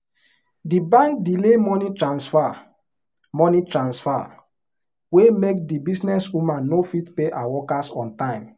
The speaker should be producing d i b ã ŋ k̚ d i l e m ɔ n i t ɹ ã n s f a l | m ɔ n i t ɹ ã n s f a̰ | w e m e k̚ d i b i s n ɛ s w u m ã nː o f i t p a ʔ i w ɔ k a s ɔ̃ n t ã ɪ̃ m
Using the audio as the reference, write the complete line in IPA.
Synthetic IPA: d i b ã ŋ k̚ d i l e m ɔ n i t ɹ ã n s f a | m ɔ n i t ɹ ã n s f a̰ | w e m e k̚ d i b i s n ɛ s w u m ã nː o f i t p e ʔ a w ɔ k a s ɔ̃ n t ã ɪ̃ m